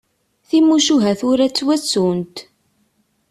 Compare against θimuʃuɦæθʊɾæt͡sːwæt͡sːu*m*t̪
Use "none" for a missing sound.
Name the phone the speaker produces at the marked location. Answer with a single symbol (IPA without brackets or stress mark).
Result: n